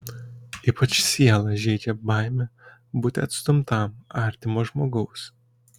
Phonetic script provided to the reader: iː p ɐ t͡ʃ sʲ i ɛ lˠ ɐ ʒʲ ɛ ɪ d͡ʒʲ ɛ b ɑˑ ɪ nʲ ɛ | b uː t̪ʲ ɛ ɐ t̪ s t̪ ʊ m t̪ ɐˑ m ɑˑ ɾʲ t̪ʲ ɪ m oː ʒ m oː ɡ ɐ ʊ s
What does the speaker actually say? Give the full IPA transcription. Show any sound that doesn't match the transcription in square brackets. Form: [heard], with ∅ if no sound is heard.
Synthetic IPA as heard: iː p ɐ t͡ʃ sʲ i ɛ lˠ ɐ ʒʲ ɛ ɪ d͡ʒʲ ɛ b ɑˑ ɪ [mʲ] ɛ | b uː t̪ʲ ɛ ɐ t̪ s t̪ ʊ m t̪ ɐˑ m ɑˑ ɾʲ t̪ʲ ɪ m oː ʒ m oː ɡ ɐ ʊ s